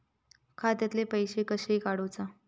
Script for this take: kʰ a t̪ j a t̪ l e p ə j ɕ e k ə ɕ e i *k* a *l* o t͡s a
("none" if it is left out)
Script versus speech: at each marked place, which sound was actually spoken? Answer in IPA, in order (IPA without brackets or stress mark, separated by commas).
k, ɽ